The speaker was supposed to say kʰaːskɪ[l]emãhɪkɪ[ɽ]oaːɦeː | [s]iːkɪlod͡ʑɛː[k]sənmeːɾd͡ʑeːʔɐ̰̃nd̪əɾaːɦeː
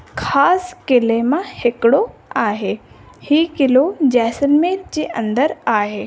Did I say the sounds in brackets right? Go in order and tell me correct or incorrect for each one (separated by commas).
correct, correct, incorrect, incorrect